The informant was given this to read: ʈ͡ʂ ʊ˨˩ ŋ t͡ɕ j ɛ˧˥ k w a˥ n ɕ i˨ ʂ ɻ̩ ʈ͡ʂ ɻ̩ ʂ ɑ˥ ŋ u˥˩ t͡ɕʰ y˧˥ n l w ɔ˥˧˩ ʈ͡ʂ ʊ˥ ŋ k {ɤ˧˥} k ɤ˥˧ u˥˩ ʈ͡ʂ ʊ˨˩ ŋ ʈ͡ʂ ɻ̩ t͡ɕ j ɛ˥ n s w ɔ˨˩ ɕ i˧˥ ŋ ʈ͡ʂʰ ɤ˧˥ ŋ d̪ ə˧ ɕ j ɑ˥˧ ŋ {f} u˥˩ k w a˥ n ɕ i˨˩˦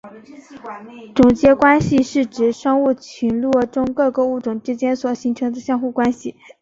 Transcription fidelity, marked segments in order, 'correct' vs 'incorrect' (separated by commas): incorrect, incorrect